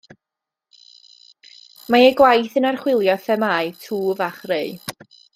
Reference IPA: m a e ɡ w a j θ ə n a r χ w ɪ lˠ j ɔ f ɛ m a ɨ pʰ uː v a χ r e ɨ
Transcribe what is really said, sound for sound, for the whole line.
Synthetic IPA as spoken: m a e ɡ w a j θ ə n a r χ w ɪ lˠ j ɔ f ɛ m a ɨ tʰ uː v a χ r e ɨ